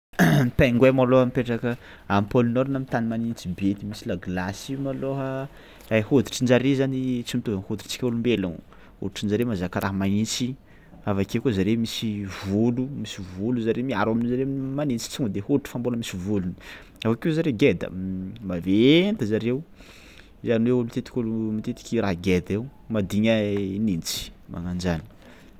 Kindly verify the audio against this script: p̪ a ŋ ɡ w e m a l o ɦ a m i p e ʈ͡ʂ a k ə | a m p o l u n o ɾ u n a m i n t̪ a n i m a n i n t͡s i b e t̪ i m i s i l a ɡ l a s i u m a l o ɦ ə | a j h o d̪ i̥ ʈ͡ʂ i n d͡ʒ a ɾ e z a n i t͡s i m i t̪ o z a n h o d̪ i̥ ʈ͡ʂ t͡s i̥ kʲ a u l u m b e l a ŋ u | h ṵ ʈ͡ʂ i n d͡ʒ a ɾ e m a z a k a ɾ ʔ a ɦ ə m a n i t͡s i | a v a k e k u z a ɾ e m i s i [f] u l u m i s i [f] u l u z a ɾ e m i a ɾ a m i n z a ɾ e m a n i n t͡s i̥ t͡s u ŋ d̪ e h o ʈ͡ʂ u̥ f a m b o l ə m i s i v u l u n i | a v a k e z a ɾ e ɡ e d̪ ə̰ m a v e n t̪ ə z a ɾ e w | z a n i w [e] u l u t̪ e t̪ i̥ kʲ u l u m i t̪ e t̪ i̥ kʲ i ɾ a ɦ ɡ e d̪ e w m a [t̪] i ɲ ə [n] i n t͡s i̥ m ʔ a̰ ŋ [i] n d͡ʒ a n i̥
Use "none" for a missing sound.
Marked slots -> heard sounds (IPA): v, v, e, d̪, n, a

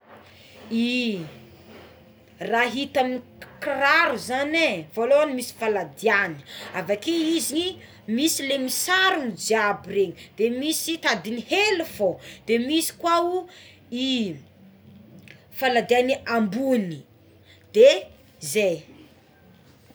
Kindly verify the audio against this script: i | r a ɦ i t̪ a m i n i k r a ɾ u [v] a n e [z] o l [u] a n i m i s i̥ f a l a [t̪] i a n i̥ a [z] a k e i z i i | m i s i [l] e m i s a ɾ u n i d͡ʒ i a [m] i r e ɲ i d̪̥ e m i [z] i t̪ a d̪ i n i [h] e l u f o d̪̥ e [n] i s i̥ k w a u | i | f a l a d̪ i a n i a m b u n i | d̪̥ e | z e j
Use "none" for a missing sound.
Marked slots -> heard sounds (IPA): z, v, o, d̪, v, l, b, s, h, m

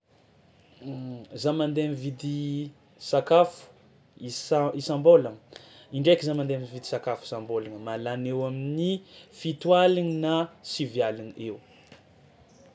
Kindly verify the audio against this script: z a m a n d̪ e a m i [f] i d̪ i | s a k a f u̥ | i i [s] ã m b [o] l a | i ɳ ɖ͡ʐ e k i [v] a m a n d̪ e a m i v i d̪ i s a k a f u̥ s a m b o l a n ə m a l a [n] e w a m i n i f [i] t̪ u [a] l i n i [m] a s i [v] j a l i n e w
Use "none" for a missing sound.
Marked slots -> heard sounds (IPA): v, s, o, z, n, i, a, n, v

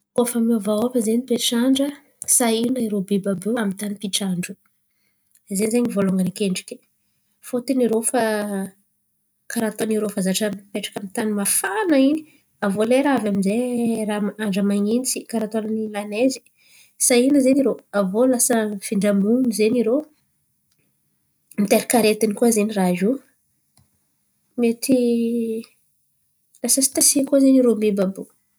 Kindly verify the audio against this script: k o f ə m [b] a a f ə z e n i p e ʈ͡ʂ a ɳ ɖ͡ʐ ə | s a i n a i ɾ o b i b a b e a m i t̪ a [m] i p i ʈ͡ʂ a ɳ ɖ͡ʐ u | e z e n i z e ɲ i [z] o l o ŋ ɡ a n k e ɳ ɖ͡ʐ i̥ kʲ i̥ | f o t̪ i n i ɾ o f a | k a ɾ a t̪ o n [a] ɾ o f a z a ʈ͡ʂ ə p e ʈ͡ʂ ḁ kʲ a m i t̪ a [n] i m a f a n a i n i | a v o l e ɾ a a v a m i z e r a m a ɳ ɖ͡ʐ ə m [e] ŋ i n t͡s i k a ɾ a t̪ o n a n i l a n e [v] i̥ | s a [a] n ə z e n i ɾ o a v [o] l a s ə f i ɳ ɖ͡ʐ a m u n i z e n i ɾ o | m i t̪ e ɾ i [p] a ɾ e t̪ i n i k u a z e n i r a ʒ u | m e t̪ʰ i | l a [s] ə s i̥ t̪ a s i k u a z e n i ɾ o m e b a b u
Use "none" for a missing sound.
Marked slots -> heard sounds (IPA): v, n, v, i, n, a, z, i, o, k, s

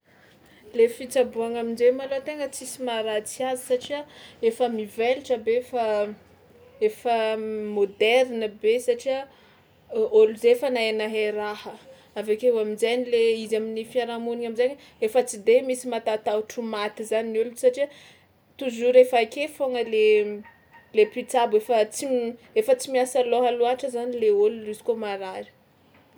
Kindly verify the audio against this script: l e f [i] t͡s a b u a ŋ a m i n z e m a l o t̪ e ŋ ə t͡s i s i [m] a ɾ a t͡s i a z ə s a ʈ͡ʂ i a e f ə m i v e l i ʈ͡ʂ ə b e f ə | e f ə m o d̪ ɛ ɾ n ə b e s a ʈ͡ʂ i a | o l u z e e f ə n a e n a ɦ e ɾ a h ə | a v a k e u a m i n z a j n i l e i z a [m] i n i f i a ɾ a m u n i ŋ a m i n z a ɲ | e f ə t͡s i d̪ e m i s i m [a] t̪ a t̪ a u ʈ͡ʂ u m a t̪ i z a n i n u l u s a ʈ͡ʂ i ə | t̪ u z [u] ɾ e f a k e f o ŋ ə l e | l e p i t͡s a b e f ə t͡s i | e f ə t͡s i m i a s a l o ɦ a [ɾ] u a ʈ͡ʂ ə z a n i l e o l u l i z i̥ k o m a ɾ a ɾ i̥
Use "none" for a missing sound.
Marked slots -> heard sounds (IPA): i, m, m, a, u, l

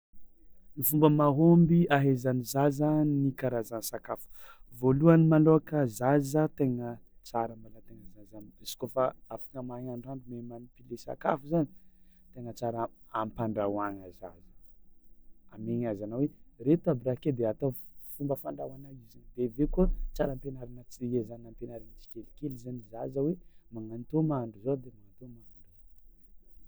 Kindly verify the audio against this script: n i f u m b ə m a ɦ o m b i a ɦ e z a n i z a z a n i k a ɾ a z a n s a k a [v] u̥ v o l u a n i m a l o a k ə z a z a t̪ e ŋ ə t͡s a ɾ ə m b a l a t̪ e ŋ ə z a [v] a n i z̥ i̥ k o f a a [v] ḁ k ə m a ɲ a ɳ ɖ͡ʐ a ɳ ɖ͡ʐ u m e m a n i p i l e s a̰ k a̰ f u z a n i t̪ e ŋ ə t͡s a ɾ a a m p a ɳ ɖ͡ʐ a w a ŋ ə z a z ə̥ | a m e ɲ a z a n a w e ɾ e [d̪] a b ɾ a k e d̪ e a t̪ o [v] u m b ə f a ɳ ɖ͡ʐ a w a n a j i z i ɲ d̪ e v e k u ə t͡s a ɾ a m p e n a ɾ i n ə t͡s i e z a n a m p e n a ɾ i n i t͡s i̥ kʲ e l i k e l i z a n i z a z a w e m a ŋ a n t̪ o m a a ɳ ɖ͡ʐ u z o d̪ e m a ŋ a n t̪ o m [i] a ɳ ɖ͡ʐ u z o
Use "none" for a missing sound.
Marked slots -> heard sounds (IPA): f, z, f, t̪, f, a

